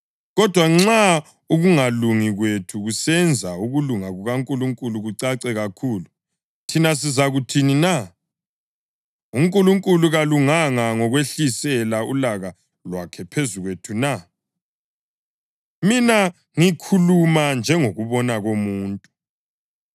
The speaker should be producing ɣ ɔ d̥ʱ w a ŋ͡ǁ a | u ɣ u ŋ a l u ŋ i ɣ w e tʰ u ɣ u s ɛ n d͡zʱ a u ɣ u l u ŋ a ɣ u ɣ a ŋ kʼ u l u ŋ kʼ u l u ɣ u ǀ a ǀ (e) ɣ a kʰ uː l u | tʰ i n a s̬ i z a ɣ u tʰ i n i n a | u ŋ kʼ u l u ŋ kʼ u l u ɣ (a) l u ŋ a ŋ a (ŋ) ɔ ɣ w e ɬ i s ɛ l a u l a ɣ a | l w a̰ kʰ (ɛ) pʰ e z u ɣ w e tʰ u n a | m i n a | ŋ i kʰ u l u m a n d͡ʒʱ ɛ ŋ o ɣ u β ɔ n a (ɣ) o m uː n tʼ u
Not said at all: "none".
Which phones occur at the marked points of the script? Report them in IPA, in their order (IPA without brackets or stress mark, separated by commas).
ɛ, a, ŋ, ɛ, ɣ